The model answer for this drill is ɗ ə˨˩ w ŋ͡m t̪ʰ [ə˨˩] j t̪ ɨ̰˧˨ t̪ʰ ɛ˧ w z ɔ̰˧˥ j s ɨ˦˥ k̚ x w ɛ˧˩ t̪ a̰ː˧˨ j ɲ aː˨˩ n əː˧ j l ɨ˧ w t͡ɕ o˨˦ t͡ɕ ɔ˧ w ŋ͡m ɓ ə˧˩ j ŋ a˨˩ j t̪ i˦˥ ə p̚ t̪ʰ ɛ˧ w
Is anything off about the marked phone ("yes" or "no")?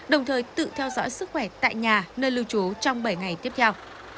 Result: yes